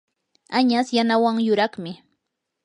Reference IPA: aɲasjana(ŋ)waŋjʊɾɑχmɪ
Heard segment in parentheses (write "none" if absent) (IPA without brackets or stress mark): none